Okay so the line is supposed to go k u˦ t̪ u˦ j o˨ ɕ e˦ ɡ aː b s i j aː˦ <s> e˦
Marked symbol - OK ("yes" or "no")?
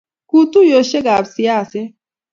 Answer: yes